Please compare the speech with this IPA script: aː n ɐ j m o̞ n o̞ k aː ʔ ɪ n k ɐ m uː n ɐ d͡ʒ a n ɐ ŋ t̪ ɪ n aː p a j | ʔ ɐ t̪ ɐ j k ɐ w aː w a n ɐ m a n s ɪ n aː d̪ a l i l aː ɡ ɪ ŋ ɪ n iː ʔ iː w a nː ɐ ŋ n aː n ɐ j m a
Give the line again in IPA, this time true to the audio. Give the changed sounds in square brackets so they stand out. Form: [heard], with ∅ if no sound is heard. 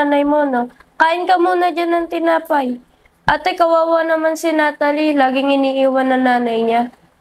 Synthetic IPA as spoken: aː n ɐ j m o̞ n o̞ k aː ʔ ɪ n k ɐ m uː n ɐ d͡ʒ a n ɐ ŋ t̪ ɪ n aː p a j | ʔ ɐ t̪ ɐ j k ɐ w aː w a n ɐ m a n s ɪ n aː [t̪] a l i l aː ɡ ɪ ŋ ɪ n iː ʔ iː w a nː ɐ ŋ n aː n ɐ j [ɲ] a